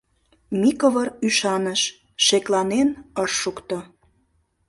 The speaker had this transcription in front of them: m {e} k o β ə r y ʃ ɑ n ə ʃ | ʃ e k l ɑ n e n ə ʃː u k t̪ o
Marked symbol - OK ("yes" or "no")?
no